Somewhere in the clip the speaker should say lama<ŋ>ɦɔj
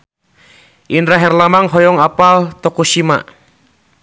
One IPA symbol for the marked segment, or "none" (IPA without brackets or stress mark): ŋ